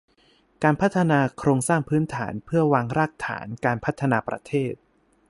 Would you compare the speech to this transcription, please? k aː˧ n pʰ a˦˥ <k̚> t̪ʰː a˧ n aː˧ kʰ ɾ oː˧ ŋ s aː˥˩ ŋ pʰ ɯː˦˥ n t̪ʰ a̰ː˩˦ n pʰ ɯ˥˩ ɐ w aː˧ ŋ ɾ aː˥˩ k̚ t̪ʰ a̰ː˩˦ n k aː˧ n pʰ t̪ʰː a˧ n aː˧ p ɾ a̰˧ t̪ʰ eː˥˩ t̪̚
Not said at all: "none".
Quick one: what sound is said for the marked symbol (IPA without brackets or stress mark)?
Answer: none